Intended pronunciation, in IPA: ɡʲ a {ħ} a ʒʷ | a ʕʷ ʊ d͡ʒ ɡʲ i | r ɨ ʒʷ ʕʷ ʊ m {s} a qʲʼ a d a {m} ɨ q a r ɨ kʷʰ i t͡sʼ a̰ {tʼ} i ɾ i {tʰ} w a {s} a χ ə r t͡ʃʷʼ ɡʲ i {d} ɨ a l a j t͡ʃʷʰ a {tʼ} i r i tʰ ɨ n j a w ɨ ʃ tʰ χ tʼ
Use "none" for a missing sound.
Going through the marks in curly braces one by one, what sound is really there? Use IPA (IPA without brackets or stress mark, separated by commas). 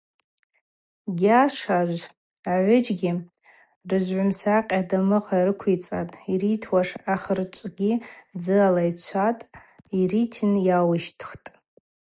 ʂ, s, m, tʼ, tʰ, ʂ, d͡z, tʼ